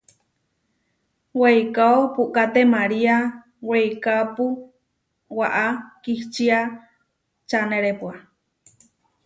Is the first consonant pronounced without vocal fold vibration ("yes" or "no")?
no